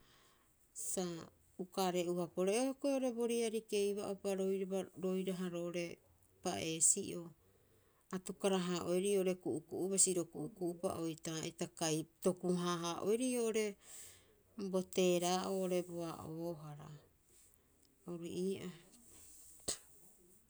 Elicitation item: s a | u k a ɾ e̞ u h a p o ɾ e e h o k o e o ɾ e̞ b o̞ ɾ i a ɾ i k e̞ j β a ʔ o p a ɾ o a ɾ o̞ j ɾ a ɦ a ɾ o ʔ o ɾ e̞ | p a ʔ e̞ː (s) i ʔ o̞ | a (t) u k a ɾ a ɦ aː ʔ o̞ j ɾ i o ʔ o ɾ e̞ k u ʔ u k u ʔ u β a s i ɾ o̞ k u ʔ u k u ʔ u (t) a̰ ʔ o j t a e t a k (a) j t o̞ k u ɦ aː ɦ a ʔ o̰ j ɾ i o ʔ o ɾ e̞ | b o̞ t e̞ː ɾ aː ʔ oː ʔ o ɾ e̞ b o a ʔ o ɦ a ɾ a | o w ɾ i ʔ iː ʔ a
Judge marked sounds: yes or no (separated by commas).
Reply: yes, yes, no, yes